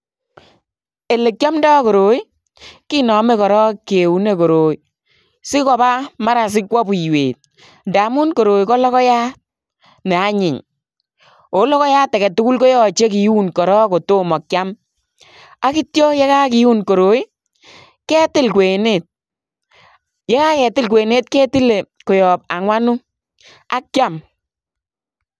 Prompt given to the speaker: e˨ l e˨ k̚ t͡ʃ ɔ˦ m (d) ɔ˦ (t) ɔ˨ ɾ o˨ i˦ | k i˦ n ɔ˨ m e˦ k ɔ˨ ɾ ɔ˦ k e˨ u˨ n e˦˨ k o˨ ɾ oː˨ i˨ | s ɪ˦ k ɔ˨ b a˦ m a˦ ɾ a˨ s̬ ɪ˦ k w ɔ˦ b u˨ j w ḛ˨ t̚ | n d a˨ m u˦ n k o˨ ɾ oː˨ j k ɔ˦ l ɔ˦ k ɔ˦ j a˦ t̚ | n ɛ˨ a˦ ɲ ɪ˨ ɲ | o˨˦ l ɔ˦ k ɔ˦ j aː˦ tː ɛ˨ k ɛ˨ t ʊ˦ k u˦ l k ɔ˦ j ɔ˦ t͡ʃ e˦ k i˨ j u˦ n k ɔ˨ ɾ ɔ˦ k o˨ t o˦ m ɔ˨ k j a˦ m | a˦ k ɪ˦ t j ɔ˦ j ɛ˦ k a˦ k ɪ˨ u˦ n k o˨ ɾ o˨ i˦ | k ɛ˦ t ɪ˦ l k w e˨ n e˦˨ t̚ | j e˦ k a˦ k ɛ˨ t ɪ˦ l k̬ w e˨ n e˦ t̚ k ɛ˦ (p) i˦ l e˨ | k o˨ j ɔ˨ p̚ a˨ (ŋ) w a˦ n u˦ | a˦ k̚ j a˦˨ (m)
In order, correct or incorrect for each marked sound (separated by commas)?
correct, incorrect, incorrect, correct, correct